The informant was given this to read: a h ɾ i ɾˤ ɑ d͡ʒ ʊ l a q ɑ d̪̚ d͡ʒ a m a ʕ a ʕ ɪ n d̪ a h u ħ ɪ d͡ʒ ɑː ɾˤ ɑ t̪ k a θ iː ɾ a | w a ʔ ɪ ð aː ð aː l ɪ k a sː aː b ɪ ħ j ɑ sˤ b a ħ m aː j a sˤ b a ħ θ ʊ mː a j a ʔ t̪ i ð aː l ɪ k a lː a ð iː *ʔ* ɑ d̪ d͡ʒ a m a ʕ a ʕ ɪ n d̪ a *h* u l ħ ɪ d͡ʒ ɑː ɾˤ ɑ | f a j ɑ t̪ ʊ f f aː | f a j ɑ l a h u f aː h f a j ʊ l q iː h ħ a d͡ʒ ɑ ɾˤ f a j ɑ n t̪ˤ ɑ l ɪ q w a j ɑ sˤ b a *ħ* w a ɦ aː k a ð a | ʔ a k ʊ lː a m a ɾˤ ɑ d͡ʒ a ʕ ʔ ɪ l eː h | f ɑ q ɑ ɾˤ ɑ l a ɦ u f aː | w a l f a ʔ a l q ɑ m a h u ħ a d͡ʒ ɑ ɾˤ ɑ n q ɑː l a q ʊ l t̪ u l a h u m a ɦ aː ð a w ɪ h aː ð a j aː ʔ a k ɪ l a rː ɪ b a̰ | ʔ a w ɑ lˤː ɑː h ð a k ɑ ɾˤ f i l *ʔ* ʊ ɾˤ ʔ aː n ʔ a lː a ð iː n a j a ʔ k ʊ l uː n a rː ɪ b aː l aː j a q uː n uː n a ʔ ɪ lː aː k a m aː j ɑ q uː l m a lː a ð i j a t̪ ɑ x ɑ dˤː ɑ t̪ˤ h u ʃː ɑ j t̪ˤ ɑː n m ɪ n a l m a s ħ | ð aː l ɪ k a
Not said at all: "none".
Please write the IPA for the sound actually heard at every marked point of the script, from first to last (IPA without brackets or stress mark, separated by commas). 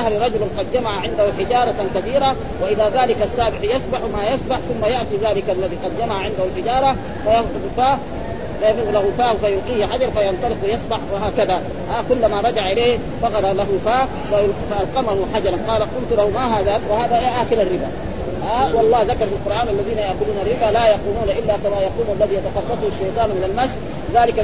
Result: q, h, ħ, q